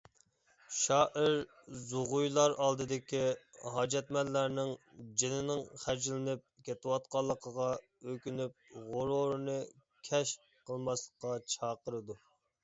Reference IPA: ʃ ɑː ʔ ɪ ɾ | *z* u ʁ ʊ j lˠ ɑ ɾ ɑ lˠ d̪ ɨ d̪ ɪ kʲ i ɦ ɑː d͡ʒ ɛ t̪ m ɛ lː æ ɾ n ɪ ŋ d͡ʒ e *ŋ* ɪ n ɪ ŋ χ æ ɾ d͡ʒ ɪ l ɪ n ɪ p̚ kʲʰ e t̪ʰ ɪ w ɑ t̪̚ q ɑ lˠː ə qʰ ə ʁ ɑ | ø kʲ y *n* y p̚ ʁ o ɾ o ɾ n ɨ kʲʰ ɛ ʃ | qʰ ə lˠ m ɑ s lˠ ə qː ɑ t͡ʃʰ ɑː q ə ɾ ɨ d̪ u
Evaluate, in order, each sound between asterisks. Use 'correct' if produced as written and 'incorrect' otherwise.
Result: correct, incorrect, correct

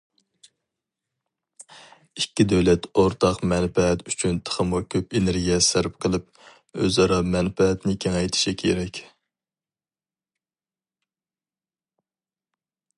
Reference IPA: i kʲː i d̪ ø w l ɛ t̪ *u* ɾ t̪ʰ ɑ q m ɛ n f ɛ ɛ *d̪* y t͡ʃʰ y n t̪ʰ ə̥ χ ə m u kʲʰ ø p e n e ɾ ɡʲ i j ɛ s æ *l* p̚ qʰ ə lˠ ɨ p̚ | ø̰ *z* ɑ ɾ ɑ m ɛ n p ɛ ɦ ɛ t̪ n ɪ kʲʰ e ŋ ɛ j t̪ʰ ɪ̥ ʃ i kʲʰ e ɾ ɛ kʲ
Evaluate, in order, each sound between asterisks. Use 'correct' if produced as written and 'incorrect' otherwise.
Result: incorrect, incorrect, incorrect, correct

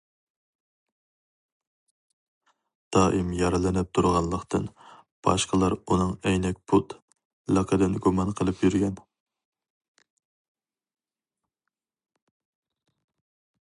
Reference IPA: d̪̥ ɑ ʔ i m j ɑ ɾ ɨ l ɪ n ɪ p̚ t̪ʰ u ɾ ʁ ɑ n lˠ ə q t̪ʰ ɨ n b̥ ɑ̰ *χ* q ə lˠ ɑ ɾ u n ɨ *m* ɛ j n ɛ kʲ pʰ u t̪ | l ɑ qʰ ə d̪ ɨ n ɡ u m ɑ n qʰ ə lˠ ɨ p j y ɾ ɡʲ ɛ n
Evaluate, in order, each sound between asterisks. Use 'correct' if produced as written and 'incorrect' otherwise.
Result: incorrect, incorrect

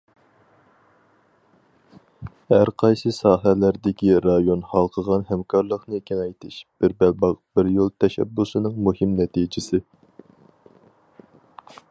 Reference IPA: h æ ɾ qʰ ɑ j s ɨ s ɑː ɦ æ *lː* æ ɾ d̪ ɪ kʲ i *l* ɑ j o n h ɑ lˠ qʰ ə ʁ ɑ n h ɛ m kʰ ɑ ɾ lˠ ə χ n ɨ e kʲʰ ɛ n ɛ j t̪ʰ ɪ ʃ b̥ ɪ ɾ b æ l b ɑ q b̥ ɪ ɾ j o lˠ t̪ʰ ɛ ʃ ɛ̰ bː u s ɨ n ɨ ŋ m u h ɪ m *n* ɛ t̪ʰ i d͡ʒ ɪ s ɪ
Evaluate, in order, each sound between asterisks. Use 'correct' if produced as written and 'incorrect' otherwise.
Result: incorrect, incorrect, correct

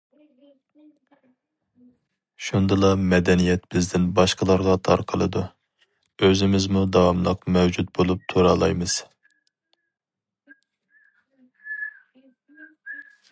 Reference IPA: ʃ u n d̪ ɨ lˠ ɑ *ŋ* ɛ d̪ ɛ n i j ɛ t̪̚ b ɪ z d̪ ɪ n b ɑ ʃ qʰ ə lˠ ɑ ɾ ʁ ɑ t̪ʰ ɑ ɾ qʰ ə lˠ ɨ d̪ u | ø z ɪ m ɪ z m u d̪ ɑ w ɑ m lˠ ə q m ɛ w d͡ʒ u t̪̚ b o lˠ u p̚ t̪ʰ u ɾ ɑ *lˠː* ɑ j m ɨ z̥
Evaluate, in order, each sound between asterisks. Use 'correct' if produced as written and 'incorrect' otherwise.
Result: incorrect, incorrect

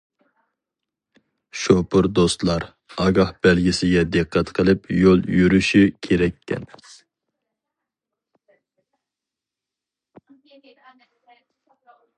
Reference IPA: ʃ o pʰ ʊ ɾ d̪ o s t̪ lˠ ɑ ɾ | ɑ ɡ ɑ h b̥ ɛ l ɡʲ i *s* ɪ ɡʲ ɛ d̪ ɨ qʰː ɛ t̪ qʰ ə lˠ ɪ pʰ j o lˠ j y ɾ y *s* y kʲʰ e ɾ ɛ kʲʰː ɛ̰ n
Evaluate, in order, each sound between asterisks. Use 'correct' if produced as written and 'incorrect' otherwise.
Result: correct, incorrect

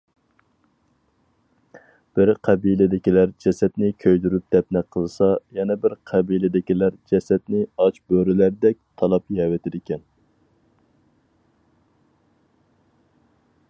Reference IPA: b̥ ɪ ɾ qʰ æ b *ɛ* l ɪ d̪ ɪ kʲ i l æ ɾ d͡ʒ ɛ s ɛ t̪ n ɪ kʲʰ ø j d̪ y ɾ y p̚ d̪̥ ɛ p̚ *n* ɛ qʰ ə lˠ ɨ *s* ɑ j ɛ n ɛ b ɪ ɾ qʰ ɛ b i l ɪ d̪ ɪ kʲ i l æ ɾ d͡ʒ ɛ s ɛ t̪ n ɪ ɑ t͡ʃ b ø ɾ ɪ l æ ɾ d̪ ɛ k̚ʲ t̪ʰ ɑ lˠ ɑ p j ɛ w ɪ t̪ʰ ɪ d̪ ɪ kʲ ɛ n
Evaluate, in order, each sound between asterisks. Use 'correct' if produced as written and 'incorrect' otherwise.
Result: incorrect, correct, correct

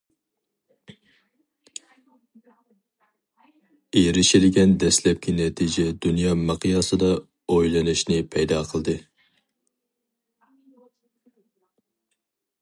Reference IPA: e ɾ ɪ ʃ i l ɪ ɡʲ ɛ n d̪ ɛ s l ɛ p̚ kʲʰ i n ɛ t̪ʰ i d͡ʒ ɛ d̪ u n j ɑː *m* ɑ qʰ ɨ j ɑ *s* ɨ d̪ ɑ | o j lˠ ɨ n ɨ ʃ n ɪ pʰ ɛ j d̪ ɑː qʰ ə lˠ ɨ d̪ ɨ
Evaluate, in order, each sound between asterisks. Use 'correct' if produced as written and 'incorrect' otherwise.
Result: correct, correct

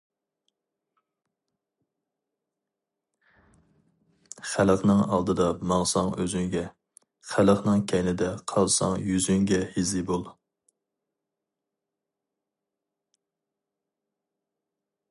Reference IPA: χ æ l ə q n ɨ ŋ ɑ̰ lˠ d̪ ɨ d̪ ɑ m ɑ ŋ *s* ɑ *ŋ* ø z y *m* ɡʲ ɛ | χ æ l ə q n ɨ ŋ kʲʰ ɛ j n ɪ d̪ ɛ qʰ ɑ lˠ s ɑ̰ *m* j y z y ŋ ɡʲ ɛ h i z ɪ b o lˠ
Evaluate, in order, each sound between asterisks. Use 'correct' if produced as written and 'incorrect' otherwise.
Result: correct, correct, incorrect, incorrect

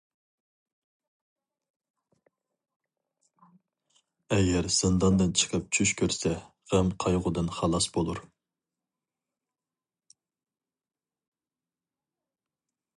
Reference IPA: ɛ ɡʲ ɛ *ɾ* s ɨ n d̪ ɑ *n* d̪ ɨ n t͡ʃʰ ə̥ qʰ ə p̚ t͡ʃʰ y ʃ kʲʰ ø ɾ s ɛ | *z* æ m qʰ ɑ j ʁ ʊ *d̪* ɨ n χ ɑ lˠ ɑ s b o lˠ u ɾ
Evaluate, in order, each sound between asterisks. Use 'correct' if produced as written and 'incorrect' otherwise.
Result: correct, correct, incorrect, correct

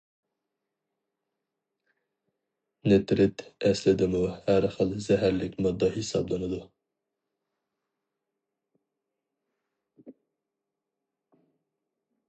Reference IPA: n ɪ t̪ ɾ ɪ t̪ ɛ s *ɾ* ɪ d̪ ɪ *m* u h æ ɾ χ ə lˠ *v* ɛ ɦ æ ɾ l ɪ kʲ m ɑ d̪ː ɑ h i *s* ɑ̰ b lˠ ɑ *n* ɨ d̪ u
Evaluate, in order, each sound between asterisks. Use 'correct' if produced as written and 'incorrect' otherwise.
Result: incorrect, correct, incorrect, correct, correct

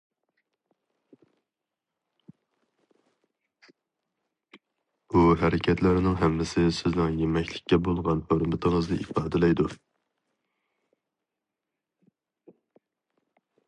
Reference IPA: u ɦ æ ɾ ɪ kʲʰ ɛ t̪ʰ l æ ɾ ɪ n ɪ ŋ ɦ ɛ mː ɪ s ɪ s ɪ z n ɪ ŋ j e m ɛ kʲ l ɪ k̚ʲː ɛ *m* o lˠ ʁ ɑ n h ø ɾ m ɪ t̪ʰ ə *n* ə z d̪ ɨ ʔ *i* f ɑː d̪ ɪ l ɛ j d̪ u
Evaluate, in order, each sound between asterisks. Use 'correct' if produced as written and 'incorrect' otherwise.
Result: incorrect, incorrect, correct

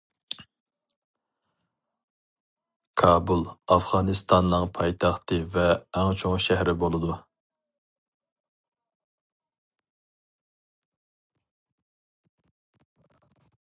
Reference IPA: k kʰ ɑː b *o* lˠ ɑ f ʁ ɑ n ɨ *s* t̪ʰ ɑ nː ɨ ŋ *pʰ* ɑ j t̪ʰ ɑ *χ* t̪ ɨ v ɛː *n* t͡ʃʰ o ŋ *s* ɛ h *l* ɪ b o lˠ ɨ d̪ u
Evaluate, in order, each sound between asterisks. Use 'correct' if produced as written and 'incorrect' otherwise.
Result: incorrect, correct, correct, correct, incorrect, incorrect, incorrect

